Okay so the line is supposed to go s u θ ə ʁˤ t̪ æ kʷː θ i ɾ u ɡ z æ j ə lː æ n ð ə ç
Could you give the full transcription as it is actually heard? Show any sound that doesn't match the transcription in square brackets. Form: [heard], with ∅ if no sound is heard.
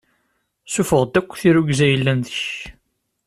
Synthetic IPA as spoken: s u [f] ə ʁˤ [d̪] æ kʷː θ i ɾ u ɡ z æ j ə lː æ n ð ə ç